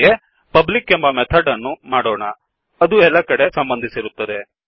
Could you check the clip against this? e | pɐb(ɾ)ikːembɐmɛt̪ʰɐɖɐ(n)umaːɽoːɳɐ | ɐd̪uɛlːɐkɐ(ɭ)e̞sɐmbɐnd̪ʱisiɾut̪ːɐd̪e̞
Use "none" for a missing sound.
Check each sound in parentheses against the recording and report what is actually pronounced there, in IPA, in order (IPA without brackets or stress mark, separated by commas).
l, nː, ɽ